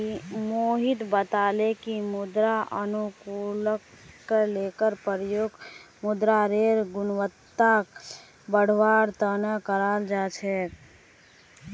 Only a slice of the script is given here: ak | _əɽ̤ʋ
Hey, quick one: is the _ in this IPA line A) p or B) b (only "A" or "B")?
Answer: B